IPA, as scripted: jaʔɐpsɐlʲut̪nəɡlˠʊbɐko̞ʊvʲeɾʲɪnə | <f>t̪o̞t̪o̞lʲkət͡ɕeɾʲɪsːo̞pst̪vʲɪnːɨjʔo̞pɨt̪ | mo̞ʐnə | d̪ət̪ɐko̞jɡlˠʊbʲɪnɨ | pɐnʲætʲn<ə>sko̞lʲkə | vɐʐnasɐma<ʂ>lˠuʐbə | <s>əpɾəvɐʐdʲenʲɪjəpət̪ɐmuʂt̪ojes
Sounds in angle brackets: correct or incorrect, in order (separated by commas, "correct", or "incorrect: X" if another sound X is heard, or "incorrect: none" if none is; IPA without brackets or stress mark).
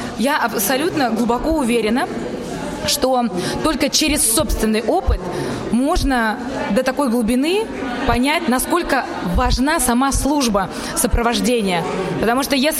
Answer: incorrect: ʂ, incorrect: ɐ, incorrect: s, correct